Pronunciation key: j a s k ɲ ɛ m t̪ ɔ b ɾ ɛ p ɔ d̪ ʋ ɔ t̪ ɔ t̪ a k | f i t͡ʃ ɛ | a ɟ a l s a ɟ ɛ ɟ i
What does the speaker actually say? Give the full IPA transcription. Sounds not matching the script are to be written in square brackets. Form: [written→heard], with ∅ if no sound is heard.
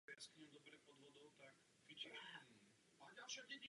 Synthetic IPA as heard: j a s k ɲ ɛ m [t̪→d̪] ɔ b ɾ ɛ p ɔ d̪ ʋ ɔ [t̪→d̪] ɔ t̪ a k | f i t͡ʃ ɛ | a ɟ a l [s→ʃ] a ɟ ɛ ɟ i

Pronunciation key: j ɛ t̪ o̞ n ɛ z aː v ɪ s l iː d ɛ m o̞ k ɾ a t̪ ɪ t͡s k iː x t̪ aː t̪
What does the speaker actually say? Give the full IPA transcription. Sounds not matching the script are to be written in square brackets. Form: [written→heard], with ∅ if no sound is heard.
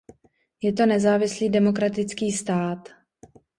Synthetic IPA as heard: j ɛ t̪ o̞ n ɛ z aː v ɪ s l iː d ɛ m o̞ k ɾ a t̪ ɪ t͡s k iː [x→s] t̪ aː t̪

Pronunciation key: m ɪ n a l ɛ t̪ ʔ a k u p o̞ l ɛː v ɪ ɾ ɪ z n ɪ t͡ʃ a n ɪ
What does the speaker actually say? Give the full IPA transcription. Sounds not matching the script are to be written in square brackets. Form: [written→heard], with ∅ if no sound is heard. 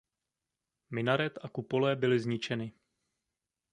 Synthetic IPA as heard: m ɪ n a [l→ɾ] ɛ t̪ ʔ a k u p o̞ l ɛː [v→b] ɪ [ɾ→l] ɪ z [n→ɲ] ɪ t͡ʃ [a→ɛ] n ɪ

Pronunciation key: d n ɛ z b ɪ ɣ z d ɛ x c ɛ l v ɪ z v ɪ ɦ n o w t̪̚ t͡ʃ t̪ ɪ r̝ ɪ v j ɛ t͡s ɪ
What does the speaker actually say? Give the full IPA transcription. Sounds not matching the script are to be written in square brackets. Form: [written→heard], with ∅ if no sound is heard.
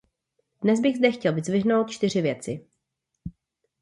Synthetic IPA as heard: d n ɛ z b ɪ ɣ z d ɛ x c ɛ l v ɪ z v ɪ ɦ n o w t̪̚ t͡ʃ t̪ ɪ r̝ ɪ v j ɛ t͡s ɪ

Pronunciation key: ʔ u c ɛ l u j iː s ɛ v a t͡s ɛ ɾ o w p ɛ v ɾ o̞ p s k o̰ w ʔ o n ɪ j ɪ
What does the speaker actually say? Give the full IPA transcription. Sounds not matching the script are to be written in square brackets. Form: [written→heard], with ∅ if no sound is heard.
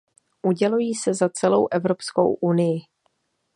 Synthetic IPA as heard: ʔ u [c→ɟ] ɛ l u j iː s ɛ [v→z] a t͡s ɛ [ɾ→l] o w [p→ʔ] ɛ v ɾ o̞ p s k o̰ w ʔ [o→u] n ɪ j ɪ

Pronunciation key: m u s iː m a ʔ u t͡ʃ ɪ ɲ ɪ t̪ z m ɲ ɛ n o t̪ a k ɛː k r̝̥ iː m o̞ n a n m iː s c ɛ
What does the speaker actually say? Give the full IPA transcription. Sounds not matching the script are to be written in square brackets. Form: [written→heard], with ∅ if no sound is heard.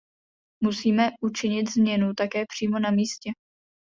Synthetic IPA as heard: m u s iː m [a→ɛ] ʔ u t͡ʃ ɪ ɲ ɪ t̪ z m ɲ ɛ n [o→u] t̪ a k ɛː [k→p] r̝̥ iː m o̞ n a [n→∅] m iː s c ɛ

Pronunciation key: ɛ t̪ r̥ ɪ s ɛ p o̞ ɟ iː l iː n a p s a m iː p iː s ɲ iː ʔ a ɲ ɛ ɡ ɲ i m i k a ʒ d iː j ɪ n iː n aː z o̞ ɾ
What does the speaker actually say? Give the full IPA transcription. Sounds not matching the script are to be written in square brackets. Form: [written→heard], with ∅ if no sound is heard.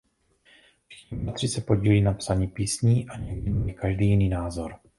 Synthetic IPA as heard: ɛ t̪ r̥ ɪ s ɛ p o̞ ɟ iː l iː n a p s a [m→ɲ] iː p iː s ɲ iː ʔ a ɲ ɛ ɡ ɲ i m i k a ʒ d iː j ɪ n iː n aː z o̞ ɾ

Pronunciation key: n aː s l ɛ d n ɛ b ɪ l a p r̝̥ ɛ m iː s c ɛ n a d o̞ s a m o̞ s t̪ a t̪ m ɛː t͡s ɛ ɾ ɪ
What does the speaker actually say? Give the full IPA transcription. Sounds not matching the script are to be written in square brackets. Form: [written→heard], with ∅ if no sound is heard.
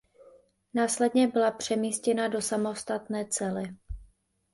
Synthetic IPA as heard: n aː s l ɛ d [n→ɲ] ɛ b ɪ l a p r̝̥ ɛ m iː s c ɛ n a d o̞ s a m o̞ s t̪ a t̪ [m→n] ɛː t͡s ɛ [ɾ→l] ɪ

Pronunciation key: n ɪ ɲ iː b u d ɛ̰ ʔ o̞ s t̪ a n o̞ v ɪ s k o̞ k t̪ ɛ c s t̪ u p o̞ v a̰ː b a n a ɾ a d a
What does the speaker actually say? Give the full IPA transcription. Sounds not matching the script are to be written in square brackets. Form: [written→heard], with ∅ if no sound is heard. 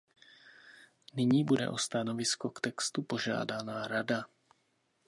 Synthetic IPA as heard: n ɪ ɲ iː b u d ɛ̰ ʔ o̞ s t̪ a n o̞ v ɪ s k o̞ k t̪ ɛ [c→k] s t̪ u p o̞ [v→ʒ] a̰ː [b→d] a n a ɾ a d a

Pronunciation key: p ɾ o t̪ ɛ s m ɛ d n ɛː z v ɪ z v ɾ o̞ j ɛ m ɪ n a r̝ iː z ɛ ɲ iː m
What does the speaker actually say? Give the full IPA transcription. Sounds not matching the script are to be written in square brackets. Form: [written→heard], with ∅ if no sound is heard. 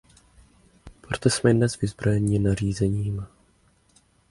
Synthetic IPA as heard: p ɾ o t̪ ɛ s m ɛ d n [ɛː→ɛ] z v ɪ z [v→b] ɾ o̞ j ɛ [m→ɲ] ɪ n a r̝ iː z ɛ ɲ iː m

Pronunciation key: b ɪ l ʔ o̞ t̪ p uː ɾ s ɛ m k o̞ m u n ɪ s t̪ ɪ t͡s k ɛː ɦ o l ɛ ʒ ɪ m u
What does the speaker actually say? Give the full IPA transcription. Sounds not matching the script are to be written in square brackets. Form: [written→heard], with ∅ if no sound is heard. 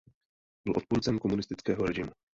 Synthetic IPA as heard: b ɪ l ʔ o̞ t̪ p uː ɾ [s→t͡s] ɛ m k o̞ m u n ɪ s t̪ ɪ t͡s k ɛː ɦ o [l→ɾ] ɛ ʒ ɪ m u

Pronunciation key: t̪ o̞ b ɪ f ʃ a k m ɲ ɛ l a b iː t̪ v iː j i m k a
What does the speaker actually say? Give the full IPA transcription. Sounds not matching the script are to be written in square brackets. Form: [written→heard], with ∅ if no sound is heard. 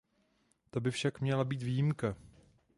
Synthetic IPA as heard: t̪ o̞ b ɪ f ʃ a k m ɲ ɛ l a b iː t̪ v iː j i m k a

